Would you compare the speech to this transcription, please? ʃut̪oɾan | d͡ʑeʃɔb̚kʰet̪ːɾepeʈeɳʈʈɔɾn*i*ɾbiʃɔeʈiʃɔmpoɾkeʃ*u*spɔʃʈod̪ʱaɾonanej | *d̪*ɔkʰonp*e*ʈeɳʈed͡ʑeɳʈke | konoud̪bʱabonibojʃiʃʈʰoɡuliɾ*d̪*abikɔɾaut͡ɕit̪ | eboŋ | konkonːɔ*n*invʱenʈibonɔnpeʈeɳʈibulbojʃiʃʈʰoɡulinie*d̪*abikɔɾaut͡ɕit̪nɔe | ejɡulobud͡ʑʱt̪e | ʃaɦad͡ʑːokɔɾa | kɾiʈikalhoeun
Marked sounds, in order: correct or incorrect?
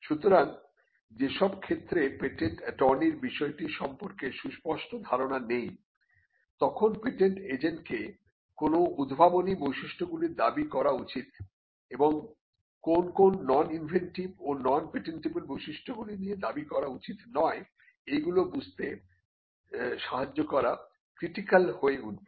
correct, correct, incorrect: t̪, correct, correct, correct, correct

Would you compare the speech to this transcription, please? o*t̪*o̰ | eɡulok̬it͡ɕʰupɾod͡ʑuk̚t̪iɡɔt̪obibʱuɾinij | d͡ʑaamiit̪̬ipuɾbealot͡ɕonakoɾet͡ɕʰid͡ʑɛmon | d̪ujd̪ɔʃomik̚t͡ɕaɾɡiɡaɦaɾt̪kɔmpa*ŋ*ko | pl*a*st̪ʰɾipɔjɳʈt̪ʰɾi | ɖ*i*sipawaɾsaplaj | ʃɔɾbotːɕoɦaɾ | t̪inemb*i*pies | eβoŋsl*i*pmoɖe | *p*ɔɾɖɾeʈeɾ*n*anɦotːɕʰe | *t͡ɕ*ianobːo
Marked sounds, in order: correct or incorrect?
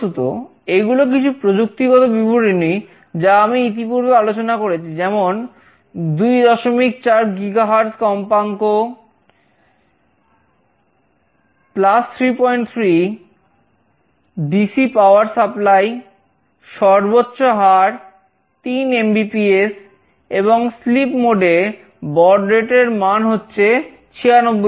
correct, correct, correct, correct, correct, correct, incorrect: b, incorrect: m, incorrect: t͡ɕʰ

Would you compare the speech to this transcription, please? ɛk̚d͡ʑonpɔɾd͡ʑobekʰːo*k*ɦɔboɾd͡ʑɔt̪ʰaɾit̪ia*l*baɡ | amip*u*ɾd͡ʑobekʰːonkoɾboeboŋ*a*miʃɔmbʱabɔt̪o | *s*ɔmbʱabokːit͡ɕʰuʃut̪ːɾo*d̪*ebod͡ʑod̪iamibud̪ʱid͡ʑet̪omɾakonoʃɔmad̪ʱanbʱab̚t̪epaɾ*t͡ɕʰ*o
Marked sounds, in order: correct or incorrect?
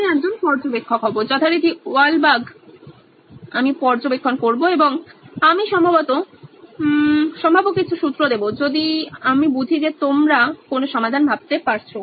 correct, correct, incorrect: ɔ, correct, incorrect: ʃ, correct, correct

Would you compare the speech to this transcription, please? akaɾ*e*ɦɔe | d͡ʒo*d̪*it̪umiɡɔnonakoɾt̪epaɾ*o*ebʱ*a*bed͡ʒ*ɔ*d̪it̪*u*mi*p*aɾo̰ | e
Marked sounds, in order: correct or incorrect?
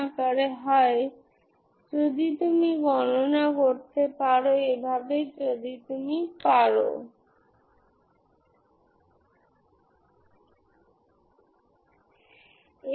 correct, correct, correct, correct, incorrect: o, correct, correct

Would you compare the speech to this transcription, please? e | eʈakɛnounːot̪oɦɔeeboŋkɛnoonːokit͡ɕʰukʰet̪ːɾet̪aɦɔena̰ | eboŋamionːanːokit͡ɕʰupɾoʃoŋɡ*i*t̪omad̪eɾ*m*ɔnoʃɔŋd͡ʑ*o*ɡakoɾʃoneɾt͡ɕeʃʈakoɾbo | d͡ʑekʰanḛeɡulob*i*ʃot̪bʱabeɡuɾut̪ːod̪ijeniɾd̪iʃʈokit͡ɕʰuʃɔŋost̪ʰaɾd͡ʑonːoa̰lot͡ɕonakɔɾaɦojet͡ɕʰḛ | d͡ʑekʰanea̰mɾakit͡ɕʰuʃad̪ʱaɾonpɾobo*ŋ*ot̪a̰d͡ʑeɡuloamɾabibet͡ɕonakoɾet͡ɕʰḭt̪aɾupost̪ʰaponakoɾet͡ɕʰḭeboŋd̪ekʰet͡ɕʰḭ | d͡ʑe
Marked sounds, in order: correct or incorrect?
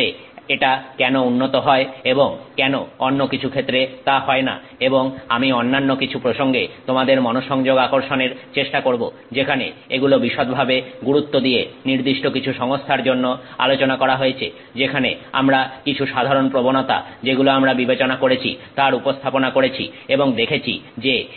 incorrect: e, correct, correct, correct, incorrect: n

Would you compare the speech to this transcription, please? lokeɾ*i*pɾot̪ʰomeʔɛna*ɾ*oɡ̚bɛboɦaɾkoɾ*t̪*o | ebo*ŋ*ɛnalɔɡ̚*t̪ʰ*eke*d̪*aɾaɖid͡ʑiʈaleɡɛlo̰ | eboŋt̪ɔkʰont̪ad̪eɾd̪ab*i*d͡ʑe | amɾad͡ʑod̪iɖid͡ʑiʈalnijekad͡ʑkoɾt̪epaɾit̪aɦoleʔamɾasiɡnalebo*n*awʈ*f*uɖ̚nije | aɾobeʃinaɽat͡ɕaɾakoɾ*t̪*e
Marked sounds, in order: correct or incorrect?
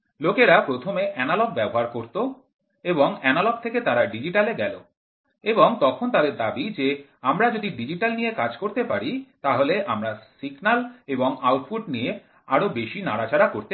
incorrect: a, incorrect: l, correct, correct, correct, incorrect: t̪, correct, incorrect: ŋ, correct, correct

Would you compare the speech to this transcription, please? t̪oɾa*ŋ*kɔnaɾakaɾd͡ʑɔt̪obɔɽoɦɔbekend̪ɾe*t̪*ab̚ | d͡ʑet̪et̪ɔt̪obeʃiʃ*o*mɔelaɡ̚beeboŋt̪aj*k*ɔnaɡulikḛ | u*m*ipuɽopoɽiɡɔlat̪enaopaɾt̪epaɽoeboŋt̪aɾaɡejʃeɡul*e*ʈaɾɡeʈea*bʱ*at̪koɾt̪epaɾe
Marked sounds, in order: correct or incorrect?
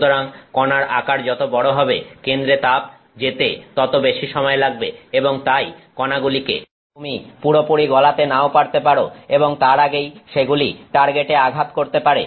correct, correct, incorrect: ɔ, correct, correct, incorrect: i, incorrect: ɡʱ

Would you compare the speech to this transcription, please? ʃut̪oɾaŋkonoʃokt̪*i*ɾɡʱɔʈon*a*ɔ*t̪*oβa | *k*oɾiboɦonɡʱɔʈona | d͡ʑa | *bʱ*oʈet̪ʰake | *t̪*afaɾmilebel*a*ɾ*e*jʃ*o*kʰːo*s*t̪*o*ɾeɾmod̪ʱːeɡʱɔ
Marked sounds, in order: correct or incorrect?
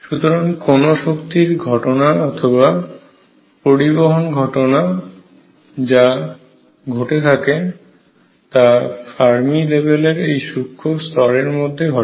correct, correct, incorrect: t̪ʰ, incorrect: p, incorrect: ɡʱ, correct, incorrect: e, correct, incorrect: u, correct, incorrect: ɔ

